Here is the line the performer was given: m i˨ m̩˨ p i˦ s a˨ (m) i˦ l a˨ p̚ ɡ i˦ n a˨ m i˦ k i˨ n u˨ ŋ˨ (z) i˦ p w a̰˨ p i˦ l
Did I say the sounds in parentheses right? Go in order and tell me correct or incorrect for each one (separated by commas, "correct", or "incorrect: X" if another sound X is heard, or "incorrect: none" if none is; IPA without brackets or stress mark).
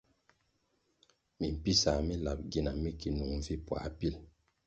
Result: correct, incorrect: v